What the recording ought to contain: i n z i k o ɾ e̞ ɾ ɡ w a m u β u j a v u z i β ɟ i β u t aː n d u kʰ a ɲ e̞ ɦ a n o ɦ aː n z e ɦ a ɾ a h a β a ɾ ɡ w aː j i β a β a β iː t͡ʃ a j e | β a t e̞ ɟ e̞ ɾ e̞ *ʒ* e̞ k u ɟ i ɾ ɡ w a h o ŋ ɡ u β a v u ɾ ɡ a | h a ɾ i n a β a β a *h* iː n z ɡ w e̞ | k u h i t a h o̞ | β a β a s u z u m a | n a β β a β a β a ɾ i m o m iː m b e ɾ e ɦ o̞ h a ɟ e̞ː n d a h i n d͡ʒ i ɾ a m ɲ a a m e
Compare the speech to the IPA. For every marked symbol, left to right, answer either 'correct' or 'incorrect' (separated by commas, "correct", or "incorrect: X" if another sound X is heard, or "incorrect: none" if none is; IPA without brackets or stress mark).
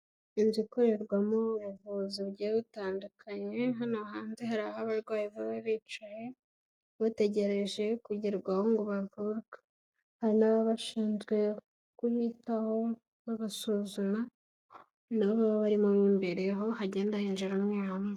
correct, incorrect: ʃ